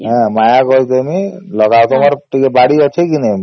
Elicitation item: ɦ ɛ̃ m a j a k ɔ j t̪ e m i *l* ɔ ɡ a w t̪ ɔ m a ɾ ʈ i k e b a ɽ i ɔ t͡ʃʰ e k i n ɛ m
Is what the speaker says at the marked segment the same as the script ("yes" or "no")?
yes